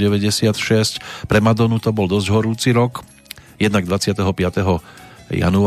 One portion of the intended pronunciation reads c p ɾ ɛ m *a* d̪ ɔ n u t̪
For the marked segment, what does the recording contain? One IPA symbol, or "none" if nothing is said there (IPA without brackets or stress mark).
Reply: a